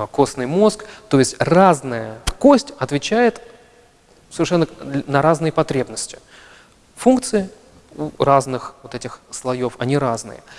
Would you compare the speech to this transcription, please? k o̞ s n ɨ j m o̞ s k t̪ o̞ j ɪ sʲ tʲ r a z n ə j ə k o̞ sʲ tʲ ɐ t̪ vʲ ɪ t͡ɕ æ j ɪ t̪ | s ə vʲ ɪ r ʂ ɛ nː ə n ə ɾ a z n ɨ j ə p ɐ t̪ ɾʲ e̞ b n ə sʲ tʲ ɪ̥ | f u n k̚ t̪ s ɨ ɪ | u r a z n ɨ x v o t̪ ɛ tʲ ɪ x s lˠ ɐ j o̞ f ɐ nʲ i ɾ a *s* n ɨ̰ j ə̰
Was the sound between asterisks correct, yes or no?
no